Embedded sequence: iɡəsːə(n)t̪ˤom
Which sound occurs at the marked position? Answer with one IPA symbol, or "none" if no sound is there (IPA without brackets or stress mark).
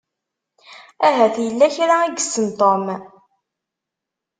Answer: n